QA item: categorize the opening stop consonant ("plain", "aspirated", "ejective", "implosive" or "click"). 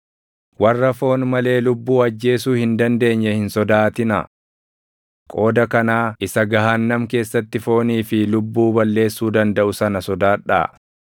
plain